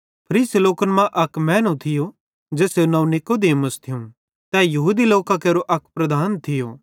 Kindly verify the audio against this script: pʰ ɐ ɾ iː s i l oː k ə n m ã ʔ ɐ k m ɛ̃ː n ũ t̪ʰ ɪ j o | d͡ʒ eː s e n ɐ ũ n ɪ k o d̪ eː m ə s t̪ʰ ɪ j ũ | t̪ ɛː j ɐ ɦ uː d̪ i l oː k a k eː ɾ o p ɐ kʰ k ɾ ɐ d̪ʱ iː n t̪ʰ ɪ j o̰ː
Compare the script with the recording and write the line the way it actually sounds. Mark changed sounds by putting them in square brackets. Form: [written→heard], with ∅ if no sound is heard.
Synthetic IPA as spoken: pʰ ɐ ɾ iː s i l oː k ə n m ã ʔ ɐ k m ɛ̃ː n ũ t̪ʰ ɪ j o | d͡ʒ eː s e n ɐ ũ n ɪ k o d̪ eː m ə s t̪ʰ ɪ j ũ | t̪ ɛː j ɐ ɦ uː d̪ i l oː k a k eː ɾ o [p→ʔ] ɐ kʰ [k→p] ɾ ɐ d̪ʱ [iː→aː] n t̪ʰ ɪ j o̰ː

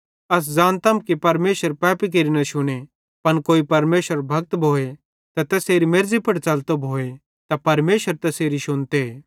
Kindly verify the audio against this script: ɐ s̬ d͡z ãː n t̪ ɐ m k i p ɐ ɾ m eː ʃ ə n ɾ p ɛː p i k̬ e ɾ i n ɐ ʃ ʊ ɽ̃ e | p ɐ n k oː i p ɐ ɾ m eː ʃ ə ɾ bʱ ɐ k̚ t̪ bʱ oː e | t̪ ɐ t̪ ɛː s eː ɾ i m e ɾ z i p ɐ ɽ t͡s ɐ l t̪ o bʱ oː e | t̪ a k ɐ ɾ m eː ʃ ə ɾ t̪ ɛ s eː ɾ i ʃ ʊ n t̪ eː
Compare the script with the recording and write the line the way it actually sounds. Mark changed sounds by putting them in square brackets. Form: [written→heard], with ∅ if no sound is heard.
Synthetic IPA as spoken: ɐ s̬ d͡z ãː n t̪ ɐ m k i p ɐ ɾ m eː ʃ ə [n→∅] ɾ p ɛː p i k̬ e ɾ i n ɐ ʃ ʊ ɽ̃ e | p ɐ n k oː i p ɐ ɾ m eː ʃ ə ɾ bʱ ɐ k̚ t̪ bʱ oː e | t̪ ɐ t̪ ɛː s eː ɾ i m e ɾ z i p ɐ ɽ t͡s ɐ l t̪ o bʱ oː e | t̪ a [k→p] ɐ ɾ m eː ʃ ə ɾ t̪ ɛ s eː ɾ i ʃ ʊ n t̪ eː

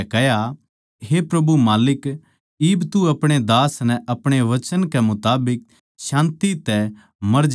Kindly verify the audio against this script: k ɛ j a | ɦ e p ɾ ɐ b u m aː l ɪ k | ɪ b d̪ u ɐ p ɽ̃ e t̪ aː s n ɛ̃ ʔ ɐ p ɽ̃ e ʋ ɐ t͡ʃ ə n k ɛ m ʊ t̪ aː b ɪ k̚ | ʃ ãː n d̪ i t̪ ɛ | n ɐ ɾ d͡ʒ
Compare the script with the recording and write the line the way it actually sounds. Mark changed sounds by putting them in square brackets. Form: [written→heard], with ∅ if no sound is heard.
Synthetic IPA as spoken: k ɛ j a | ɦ e p ɾ ɐ b u m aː l ɪ k | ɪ b [d̪→t̪] u ɐ p ɽ̃ e [t̪→d̪] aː s n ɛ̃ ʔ ɐ p ɽ̃ e ʋ ɐ t͡ʃ ə n k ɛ m ʊ t̪ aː b ɪ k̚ | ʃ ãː n [d̪→t̪] i t̪ ɛ | [n→m] ɐ ɾ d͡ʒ

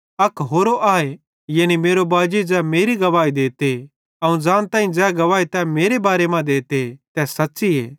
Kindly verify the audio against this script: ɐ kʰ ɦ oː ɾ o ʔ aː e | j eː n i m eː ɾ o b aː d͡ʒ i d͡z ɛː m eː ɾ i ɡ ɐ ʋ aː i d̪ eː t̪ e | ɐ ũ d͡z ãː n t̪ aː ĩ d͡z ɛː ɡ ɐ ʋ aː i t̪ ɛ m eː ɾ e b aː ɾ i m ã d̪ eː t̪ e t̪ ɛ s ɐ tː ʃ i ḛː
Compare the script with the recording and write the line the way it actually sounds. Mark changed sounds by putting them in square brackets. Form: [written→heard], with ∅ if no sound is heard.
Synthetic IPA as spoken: ɐ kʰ ɦ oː ɾ o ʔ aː e | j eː n i m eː ɾ o b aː d͡ʒ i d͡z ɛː m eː ɾ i ɡ ɐ ʋ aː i d̪ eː t̪ e | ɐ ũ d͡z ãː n t̪ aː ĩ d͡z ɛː ɡ ɐ ʋ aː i t̪ ɛ m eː ɾ e b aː ɾ [i→e] m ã d̪ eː t̪ e t̪ ɛ s ɐ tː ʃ i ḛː

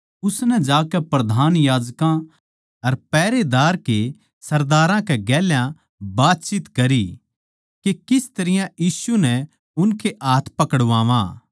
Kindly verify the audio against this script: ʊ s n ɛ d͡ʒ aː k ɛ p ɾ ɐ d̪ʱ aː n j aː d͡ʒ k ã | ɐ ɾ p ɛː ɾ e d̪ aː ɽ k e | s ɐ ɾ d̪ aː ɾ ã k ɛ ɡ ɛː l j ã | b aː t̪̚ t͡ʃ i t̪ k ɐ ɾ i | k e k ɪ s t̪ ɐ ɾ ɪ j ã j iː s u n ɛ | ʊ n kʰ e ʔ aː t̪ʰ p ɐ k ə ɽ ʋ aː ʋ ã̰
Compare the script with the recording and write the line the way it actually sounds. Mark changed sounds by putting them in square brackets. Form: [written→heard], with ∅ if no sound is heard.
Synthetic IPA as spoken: ʊ s n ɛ d͡ʒ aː k ɛ p ɾ ɐ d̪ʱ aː n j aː d͡ʒ k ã | ɐ ɾ p ɛː ɾ e d̪ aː [ɽ→ɾ] k e | s ɐ ɾ d̪ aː ɾ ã k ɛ ɡ ɛː l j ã | b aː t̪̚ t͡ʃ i t̪ k ɐ ɾ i | k e k ɪ s t̪ ɐ ɾ ɪ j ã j iː s u n ɛ | ʊ n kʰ e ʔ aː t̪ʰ p ɐ k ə ɽ ʋ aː ʋ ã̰

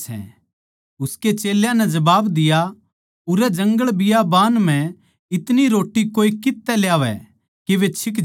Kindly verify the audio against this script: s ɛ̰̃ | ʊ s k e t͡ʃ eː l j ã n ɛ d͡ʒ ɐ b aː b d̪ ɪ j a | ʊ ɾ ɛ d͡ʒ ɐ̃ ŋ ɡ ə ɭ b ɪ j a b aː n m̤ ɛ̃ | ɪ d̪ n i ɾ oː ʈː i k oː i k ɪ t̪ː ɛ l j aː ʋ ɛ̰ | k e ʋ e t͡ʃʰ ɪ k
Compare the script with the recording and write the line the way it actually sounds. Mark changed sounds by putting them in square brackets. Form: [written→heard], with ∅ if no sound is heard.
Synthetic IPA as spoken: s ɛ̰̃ | ʊ s k e t͡ʃ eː l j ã n ɛ d͡ʒ ɐ b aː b d̪ ɪ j a | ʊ ɾ ɛ d͡ʒ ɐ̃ ŋ ɡ ə ɭ b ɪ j a b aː n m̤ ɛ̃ | ɪ [d̪→t̪] n i ɾ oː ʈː i k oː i k ɪ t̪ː ɛ l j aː ʋ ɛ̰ | k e ʋ e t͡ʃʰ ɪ k

